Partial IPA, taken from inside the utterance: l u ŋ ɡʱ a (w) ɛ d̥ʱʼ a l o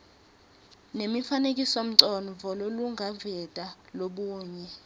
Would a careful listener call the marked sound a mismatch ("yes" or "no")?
yes